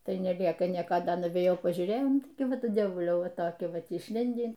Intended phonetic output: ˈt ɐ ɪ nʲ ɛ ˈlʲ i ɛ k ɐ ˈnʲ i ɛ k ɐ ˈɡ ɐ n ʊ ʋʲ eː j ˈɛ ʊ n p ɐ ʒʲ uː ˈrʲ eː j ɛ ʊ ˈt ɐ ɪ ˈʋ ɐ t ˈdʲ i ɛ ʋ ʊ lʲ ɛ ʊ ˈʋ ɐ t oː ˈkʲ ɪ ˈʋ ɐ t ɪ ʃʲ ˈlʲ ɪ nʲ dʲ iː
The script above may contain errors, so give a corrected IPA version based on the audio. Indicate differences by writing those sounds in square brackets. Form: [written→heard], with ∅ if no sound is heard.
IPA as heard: ˈt ɐ ɪ nʲ ɛ ˈlʲ i ɛ k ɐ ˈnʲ i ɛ k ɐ [ˈɡ→ˈd] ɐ n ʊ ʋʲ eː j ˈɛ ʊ [n→∅] p ɐ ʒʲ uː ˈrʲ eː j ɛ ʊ ˈt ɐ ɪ ˈʋ ɐ t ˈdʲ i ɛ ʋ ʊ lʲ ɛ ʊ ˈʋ ɐ t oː ˈkʲ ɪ ˈʋ ɐ t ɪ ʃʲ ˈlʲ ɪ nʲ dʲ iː